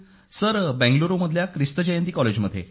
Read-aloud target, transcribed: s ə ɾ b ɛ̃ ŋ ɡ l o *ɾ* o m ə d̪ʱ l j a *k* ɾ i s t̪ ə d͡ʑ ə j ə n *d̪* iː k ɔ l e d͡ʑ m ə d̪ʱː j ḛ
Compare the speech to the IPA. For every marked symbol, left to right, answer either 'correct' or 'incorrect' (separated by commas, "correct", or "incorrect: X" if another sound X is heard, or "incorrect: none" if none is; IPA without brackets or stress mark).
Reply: correct, correct, incorrect: t̪